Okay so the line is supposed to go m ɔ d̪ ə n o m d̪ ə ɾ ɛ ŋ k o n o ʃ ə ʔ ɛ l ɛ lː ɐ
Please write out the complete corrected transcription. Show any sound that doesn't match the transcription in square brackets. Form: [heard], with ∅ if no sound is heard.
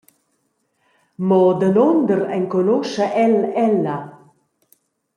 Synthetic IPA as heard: m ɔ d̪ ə n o [n] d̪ ə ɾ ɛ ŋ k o n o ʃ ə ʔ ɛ l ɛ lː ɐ